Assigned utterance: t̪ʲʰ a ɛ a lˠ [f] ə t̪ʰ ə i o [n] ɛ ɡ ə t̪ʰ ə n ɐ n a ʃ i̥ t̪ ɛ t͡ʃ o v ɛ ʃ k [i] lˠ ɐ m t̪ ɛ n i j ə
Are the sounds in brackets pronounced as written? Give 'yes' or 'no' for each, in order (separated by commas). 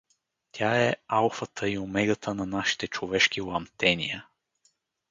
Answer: yes, no, yes